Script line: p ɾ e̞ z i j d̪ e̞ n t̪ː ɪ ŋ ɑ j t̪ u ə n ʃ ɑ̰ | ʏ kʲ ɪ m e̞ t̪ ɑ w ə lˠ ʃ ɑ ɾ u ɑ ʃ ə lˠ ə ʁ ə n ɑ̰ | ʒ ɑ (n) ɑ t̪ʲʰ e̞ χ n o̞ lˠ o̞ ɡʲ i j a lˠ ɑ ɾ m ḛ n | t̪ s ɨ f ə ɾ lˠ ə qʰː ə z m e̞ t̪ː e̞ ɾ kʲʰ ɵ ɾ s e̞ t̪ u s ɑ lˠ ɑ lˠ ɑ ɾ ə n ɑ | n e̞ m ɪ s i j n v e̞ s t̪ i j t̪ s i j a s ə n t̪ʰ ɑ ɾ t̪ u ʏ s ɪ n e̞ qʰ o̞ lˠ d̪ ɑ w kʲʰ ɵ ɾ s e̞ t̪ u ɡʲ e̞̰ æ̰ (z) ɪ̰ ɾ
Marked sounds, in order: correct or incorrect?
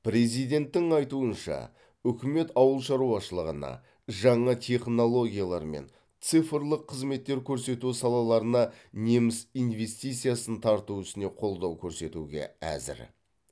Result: incorrect, correct

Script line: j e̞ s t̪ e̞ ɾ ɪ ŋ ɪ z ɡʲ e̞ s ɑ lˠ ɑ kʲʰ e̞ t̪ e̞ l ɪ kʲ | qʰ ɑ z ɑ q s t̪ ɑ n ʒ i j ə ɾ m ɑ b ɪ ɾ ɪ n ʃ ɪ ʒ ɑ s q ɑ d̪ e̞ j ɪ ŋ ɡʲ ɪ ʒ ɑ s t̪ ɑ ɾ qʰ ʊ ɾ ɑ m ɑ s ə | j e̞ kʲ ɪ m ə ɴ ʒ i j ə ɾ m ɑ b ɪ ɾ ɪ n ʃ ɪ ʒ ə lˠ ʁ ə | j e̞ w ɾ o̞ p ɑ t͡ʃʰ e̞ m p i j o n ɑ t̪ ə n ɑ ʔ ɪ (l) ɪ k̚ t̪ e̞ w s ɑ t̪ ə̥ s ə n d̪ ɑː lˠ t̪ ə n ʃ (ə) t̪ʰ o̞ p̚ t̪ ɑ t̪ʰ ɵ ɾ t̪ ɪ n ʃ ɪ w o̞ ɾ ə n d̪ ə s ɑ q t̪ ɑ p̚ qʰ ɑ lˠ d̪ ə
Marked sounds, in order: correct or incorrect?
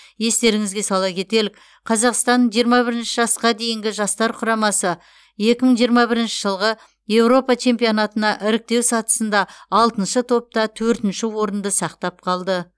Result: incorrect, correct

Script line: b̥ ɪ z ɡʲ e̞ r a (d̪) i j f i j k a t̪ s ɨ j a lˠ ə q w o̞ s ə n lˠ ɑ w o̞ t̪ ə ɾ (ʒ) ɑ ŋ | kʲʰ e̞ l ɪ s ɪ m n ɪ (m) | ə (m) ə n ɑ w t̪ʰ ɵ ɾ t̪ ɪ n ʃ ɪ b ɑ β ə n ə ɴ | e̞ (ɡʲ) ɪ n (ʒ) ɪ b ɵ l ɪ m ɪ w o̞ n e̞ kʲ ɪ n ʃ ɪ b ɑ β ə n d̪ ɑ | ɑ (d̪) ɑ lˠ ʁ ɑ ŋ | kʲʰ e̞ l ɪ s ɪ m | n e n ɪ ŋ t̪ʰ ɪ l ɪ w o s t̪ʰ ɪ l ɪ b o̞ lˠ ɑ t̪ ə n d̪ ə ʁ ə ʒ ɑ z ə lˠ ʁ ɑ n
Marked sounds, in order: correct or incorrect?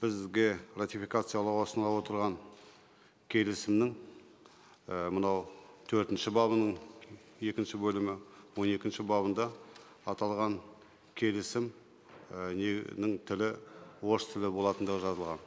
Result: incorrect, incorrect, incorrect, correct, incorrect, incorrect, incorrect

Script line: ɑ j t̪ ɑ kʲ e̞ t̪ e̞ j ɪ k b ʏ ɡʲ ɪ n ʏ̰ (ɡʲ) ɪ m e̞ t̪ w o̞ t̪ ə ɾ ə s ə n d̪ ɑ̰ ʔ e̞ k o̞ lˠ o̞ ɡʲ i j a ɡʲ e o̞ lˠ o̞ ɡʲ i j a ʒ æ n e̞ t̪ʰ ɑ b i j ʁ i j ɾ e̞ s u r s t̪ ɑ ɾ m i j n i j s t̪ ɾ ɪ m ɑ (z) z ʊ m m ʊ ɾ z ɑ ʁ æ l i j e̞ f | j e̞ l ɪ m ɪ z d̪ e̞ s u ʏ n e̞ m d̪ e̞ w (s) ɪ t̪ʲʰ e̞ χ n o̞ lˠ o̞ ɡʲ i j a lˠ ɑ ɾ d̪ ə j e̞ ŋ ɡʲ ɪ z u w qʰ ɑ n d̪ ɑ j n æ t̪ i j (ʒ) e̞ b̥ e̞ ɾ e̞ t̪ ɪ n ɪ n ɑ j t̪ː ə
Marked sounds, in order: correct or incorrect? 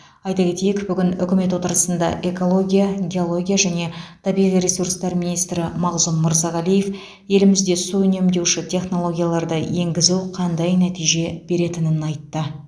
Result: incorrect, incorrect, incorrect, correct

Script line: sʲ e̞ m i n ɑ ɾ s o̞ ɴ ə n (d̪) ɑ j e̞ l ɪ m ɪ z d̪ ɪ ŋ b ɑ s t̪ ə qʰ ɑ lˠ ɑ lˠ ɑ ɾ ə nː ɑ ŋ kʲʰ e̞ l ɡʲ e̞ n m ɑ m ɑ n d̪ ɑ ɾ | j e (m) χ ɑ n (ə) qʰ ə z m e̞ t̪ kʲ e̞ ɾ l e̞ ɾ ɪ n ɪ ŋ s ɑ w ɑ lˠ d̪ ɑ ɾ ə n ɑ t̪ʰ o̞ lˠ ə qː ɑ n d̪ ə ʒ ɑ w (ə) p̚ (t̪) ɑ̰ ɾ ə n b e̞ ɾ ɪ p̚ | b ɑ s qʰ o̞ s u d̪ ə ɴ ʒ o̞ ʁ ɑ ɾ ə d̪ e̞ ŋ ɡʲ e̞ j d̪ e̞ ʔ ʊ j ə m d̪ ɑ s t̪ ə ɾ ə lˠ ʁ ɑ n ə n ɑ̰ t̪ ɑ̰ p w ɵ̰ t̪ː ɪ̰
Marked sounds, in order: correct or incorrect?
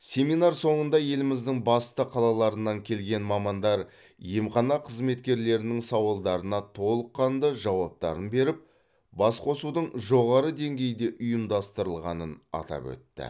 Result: correct, correct, incorrect, incorrect, correct

